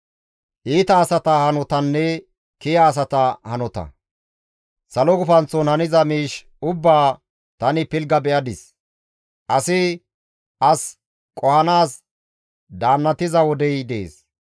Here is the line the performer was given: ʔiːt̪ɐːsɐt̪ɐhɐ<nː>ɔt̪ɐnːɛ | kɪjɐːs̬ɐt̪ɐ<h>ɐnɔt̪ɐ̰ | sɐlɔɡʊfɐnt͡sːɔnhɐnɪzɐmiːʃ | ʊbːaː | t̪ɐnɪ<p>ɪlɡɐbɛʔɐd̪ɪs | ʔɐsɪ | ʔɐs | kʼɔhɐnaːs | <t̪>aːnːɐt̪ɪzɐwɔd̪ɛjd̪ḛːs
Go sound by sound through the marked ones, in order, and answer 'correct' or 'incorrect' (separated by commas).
incorrect, correct, correct, incorrect